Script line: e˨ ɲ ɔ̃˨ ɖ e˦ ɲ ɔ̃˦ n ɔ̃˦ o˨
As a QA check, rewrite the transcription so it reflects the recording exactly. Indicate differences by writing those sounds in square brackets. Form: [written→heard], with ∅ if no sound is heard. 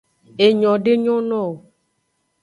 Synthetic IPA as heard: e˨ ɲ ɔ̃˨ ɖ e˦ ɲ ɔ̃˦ n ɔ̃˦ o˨